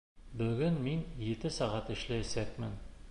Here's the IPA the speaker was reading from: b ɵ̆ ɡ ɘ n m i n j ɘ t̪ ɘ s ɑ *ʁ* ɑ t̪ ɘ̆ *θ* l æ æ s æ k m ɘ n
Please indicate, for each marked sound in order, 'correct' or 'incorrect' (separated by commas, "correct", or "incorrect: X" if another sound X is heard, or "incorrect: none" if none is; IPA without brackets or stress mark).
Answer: correct, incorrect: ʃ